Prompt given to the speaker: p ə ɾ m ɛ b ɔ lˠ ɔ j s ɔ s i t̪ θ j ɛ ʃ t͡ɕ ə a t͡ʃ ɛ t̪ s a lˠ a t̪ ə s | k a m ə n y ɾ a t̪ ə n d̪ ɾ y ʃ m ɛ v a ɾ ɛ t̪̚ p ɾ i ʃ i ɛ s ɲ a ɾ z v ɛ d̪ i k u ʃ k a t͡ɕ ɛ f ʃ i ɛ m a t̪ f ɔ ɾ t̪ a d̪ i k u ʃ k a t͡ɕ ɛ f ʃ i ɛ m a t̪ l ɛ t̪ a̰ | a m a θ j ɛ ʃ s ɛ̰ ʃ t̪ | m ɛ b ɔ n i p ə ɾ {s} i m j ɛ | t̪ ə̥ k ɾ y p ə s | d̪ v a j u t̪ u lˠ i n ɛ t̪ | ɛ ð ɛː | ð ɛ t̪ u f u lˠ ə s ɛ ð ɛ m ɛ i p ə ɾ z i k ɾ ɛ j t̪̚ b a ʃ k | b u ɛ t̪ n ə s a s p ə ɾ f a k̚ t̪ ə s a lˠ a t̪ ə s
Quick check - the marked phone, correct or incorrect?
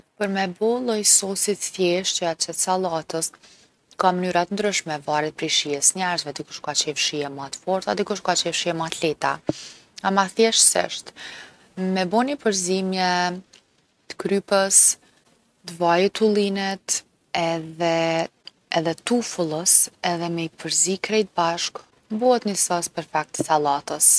incorrect